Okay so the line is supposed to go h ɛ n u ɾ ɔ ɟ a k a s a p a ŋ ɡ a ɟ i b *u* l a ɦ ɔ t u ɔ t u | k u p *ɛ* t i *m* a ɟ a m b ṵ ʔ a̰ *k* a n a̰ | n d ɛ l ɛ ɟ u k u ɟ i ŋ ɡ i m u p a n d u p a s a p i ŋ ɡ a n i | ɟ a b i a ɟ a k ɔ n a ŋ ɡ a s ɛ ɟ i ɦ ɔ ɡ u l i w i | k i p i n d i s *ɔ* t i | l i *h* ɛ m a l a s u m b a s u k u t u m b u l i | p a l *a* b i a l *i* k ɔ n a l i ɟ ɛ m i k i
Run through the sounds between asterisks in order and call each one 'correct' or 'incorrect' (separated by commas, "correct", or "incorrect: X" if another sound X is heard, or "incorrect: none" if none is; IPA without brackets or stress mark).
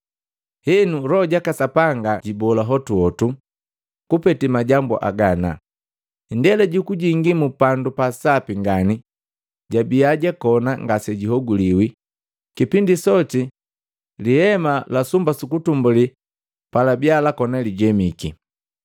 incorrect: ɔ, correct, correct, incorrect: ɡ, correct, correct, correct, incorrect: a